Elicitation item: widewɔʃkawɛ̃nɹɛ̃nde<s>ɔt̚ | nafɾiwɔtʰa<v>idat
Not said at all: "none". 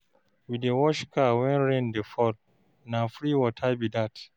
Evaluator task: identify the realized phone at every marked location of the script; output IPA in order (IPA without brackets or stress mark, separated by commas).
f, b